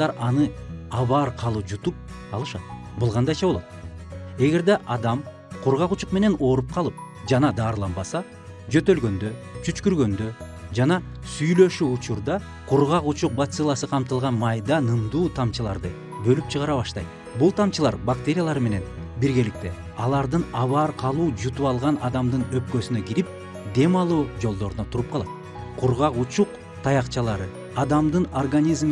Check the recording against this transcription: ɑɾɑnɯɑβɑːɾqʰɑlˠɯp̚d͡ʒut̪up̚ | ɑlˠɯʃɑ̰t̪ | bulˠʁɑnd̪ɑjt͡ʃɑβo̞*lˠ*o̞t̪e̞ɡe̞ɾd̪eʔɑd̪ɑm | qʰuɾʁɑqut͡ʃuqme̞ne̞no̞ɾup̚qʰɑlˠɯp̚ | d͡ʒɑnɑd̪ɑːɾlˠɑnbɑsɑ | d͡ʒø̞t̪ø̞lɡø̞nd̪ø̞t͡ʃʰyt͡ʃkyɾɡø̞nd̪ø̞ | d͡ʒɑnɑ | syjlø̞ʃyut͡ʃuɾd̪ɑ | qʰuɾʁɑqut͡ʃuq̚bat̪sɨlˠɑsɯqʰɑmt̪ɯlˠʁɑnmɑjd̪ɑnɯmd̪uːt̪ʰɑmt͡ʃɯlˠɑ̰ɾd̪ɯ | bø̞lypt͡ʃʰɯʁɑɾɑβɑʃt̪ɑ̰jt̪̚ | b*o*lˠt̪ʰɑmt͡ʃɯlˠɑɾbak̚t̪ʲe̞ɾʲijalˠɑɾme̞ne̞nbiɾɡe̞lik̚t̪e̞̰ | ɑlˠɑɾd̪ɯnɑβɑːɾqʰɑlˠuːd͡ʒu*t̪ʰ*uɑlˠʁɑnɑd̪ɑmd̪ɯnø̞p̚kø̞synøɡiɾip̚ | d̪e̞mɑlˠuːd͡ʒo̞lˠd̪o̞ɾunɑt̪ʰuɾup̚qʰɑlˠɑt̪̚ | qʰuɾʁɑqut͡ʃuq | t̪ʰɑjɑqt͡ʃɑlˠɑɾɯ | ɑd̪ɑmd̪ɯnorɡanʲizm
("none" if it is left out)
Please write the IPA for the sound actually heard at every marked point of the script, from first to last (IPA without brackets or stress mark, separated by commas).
lˠ, u, t̪